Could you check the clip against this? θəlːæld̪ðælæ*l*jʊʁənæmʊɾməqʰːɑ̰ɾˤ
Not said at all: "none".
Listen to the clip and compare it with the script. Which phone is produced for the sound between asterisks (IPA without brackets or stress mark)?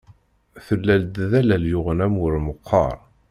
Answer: l